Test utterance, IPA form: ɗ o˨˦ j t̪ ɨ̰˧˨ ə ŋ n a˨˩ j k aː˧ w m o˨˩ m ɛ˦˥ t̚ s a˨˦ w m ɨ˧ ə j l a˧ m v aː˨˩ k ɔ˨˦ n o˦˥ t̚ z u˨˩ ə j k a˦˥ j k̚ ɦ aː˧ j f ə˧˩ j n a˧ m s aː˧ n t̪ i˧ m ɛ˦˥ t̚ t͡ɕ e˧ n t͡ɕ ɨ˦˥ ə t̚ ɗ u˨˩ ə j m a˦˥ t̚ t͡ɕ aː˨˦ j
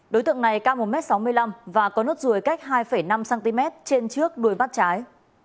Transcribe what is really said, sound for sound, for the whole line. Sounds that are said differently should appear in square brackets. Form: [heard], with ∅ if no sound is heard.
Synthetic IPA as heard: ɗ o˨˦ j t̪ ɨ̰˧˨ ə ŋ n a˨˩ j k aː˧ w m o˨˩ m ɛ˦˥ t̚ s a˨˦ w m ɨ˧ ə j l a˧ m v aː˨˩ k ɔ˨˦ n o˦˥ t̚ z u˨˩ ə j k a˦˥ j k̚ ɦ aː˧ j f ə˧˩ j n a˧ m s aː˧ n t̪ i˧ m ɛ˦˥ t̚ t͡ɕ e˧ n t͡ɕ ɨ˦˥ ə [k̚] ɗ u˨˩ ə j m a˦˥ t̚ t͡ɕ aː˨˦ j